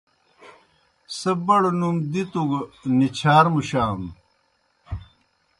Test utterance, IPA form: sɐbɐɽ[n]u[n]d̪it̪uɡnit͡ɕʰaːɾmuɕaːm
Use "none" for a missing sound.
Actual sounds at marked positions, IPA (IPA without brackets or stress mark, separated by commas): n, m